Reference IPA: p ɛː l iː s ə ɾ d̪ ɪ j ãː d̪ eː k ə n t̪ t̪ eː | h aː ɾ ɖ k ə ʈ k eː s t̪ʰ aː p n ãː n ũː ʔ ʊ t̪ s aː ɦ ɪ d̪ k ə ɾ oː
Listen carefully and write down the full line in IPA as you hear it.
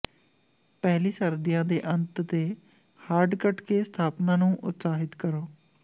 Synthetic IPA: p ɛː l iː s ə ɾ d̪ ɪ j ãː d̪ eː ʔ ə n t̪ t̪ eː | h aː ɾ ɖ k ə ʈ k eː s t̪ʰ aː p n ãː n ũː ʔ ʊ t̪ s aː ɦ ɪ t̪ k ə ɾ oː